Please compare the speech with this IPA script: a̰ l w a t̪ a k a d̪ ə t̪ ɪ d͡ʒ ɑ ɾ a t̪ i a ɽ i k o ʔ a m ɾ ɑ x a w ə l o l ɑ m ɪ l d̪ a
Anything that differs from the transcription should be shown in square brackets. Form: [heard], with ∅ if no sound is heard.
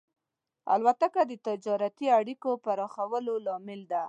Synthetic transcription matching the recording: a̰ l w a t̪ a k a d̪ ə t̪ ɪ d͡ʒ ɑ ɾ a t̪ i a ɽ i k o [p] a [∅] ɾ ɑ x a w ə l o l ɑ m ɪ l d̪ a

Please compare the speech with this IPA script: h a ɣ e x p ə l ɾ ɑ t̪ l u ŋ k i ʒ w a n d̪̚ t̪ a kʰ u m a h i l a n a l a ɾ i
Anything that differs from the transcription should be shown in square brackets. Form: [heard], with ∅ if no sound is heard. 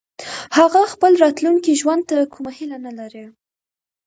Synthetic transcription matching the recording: h a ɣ [a] x p ə l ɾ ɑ t̪ l u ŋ k i ʒ w a n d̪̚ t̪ a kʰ u m a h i l a n a l a ɾ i

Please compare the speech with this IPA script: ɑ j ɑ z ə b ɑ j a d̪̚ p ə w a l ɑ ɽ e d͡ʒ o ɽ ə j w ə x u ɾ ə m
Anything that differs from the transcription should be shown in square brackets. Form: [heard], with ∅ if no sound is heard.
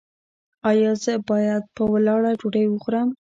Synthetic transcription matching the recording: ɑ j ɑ z ə b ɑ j a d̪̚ p ə w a l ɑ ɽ [a] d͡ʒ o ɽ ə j w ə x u ɾ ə m

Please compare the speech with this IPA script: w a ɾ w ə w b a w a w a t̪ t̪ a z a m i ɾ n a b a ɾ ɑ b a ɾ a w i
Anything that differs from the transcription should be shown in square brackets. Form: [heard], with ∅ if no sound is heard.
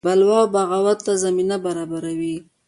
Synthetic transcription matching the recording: [b] a [l] w [ɑ] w b a [ɣ] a w a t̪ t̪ a z a m i [∅] n a b a ɾ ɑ b a ɾ a w i

